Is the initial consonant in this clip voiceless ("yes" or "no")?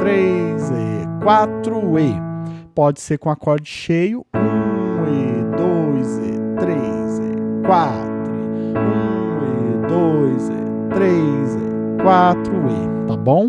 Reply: yes